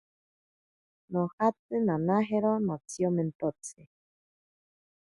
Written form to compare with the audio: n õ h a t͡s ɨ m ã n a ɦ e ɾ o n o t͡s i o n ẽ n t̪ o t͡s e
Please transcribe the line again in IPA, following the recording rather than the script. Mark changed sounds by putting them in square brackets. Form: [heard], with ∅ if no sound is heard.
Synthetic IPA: n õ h a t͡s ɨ [n] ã n a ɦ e ɾ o n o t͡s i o [m] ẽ n t̪ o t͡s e